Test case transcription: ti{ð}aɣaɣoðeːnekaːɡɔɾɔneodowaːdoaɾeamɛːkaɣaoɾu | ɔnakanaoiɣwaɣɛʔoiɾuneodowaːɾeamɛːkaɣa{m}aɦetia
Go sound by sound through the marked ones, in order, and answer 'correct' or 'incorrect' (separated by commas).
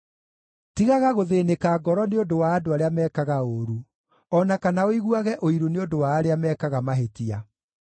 incorrect, correct